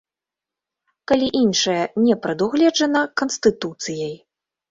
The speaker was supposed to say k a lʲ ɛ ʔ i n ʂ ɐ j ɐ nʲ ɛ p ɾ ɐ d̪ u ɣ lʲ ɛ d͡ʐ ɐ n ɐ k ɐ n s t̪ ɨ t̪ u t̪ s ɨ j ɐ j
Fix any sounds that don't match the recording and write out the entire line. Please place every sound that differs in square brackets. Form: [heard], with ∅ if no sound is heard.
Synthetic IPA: k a lʲ [i] ʔ i n ʂ ɐ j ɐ nʲ ɛ p ɾ ɐ d̪ u ɣ lʲ ɛ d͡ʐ ɐ n ɐ k ɐ n s t̪ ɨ t̪ u t̪ s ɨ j ɐ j